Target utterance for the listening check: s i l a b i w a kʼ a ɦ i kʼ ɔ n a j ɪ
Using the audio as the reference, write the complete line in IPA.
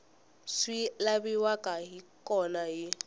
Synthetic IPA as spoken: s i l a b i w a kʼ a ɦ i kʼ ɔ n a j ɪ